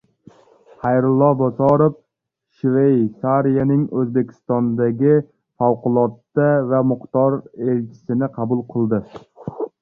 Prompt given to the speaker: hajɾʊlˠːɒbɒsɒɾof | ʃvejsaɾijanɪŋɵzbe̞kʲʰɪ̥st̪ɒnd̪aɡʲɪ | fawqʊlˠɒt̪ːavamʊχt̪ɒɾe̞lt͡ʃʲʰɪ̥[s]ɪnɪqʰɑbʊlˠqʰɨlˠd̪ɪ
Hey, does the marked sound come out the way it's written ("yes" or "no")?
yes